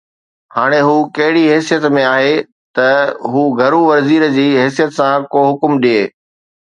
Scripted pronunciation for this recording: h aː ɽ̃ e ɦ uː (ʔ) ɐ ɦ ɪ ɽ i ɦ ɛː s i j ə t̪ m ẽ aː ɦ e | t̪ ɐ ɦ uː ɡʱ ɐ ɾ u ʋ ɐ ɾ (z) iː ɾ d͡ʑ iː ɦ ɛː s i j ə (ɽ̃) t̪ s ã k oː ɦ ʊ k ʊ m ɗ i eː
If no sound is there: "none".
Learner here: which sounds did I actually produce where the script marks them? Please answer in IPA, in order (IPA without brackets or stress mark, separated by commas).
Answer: k, z, none